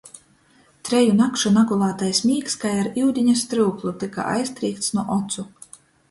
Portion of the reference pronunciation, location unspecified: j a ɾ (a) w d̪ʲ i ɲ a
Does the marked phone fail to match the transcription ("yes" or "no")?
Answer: yes